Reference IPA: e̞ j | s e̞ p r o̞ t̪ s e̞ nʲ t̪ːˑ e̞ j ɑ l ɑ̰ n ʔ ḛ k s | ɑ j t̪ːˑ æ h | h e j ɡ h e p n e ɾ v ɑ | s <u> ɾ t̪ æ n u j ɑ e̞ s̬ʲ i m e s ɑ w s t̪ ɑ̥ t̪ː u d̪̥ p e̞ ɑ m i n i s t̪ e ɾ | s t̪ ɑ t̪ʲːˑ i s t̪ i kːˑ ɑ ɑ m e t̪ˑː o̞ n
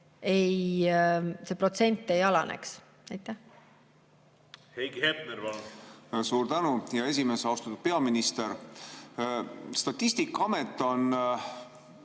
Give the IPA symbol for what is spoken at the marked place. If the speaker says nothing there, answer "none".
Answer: uː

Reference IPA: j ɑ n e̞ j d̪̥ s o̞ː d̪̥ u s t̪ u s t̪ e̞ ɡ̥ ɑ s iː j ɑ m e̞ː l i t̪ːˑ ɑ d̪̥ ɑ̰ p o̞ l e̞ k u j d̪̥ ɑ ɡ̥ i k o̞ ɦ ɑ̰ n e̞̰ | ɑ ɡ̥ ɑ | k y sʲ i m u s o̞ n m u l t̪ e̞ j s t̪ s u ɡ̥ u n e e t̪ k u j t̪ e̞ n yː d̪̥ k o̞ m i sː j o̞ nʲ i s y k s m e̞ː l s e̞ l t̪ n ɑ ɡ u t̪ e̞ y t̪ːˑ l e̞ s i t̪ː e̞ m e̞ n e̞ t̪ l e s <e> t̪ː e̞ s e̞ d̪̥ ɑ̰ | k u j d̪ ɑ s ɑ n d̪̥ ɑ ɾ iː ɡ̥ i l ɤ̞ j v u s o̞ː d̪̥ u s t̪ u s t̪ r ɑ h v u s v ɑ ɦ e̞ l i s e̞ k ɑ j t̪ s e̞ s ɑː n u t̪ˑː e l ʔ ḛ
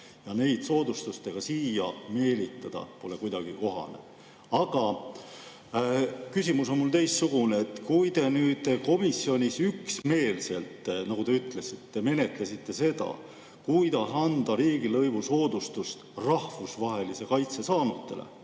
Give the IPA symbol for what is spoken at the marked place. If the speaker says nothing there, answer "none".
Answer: i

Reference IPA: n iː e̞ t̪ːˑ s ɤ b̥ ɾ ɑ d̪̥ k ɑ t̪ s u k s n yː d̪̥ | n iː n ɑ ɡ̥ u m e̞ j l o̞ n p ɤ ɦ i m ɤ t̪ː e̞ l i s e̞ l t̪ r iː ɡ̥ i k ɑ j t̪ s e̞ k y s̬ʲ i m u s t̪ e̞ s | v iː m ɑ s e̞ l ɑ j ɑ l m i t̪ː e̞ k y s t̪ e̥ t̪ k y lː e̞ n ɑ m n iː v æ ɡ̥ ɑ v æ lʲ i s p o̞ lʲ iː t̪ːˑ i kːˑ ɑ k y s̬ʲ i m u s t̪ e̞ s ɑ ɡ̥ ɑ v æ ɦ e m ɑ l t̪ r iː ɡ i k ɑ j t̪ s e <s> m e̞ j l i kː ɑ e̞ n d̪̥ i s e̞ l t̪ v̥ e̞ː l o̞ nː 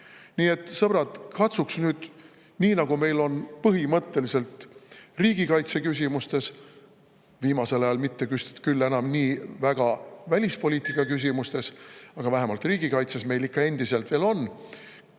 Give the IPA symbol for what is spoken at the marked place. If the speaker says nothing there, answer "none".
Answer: s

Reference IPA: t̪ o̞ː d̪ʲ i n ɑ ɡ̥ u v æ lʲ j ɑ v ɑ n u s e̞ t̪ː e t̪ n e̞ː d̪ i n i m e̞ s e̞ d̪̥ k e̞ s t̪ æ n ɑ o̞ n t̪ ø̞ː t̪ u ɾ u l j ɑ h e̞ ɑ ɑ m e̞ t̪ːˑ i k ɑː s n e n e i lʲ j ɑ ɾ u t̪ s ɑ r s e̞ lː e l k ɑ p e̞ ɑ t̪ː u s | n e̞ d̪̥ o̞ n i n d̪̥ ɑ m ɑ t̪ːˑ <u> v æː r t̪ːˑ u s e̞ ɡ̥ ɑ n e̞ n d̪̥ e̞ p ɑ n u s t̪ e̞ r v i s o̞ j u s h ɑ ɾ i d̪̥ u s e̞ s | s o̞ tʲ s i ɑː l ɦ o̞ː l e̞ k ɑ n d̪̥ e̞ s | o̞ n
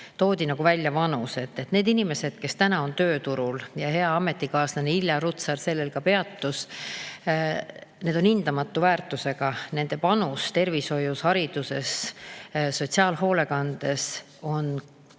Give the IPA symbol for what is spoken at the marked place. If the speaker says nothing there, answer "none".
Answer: u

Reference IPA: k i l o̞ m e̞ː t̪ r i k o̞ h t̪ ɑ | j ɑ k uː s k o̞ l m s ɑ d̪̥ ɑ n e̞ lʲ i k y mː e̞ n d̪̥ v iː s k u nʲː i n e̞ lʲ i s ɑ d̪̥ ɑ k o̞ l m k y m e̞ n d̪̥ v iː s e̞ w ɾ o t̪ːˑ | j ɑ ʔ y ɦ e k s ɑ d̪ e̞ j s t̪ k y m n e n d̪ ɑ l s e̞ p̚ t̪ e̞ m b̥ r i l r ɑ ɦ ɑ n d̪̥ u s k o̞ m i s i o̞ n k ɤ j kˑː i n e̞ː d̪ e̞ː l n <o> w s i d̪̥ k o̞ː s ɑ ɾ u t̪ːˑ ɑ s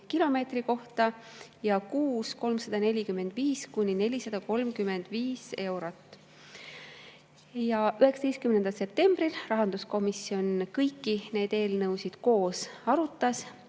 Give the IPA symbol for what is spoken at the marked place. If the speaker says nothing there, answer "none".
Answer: ɤ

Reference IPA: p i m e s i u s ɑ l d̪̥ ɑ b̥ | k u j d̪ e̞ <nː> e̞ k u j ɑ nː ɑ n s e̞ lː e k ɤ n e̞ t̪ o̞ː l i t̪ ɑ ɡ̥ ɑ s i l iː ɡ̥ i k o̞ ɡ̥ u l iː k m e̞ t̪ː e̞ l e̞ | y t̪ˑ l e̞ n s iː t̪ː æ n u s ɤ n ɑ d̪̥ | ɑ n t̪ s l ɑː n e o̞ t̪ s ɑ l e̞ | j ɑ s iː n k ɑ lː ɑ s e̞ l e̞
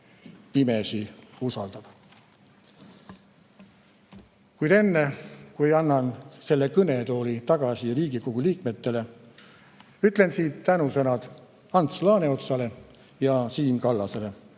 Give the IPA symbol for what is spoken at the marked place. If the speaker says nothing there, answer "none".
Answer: nː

